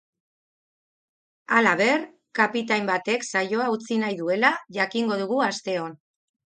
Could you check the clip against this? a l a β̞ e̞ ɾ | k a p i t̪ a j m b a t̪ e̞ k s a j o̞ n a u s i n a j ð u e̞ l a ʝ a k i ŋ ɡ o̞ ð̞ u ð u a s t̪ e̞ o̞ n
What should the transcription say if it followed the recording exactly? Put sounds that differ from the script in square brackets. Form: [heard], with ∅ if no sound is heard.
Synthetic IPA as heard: a l a β̞ e̞ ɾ | k a p i t̪ a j m b a t̪ e̞ k s a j o̞ [∅] a u [t͡s] i n a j ð u e̞ l a ʝ a k i ŋ ɡ o̞ ð̞ u [ɣ] u a s t̪ e̞ o̞ n